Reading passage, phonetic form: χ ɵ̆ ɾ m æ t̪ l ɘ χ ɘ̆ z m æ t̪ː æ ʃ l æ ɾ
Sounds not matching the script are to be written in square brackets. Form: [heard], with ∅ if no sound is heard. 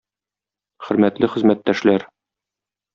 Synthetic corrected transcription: χ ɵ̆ ɾ m æ t̪ l ɘ χ ɘ̆ z m æ t̪ː æ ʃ l æ ɾ